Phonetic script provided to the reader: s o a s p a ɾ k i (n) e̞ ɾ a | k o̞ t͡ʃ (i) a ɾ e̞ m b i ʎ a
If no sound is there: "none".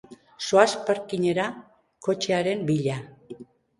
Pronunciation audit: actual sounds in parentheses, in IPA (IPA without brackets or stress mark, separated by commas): ɲ, e